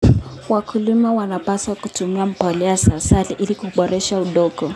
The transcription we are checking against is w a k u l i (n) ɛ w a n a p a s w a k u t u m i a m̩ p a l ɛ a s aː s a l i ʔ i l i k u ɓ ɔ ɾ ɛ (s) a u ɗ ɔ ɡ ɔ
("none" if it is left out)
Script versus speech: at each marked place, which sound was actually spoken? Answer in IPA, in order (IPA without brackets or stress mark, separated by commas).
m, ʃ